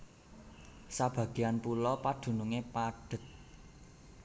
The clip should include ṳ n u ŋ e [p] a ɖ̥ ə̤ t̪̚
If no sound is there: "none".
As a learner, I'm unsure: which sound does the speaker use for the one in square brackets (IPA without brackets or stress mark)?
p